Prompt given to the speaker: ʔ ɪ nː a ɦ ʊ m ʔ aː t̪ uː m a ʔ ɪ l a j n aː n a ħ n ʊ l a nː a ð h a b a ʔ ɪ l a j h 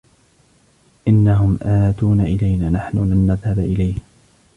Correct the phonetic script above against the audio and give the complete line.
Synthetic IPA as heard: ʔ ɪ nː a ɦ ʊ m ʔ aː t̪ uː n a ʔ ɪ l a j n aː n a ħ n ʊ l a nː a ð h a b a ʔ ɪ l a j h